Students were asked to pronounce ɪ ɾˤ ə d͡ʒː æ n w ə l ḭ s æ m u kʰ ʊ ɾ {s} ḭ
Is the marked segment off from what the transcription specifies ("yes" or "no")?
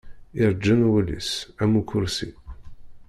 no